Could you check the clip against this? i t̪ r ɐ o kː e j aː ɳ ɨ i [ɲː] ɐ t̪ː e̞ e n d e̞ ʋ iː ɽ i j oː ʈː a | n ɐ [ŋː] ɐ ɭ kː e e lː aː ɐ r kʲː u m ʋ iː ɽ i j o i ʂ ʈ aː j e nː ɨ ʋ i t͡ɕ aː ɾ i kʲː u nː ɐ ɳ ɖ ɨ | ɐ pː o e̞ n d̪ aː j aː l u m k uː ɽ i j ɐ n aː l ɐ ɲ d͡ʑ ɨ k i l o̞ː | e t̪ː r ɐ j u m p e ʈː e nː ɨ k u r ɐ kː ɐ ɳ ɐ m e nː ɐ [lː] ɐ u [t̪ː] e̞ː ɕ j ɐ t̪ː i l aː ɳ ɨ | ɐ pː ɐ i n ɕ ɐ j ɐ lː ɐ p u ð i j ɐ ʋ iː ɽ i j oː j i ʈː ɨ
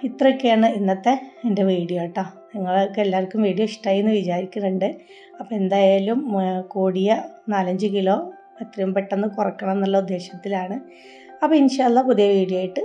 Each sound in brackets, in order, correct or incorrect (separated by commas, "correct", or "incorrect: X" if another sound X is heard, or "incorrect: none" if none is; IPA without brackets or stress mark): incorrect: nː, correct, correct, incorrect: d̪ː